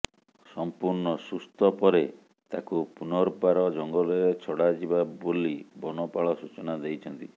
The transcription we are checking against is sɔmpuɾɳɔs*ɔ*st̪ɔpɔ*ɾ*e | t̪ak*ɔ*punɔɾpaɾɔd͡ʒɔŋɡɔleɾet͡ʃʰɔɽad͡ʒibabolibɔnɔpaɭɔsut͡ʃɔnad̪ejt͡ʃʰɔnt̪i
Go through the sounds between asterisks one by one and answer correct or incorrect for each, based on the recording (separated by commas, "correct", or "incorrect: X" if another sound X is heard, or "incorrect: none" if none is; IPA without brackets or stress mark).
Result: incorrect: u, correct, incorrect: u